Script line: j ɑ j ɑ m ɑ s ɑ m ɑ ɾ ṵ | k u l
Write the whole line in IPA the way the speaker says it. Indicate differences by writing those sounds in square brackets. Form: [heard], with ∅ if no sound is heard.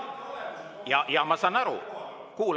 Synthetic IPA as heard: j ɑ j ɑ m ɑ s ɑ [n] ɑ ɾ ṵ | k [uː] l